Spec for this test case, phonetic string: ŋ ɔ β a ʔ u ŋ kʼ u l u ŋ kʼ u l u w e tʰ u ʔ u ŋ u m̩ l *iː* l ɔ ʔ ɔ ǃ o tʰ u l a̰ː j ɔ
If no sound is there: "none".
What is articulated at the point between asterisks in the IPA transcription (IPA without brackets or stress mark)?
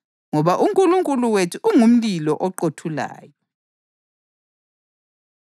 i